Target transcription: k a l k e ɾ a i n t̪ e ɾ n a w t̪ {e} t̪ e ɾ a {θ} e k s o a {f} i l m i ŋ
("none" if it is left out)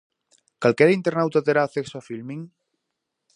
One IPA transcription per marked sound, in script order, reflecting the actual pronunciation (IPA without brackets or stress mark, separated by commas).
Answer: a, θ, f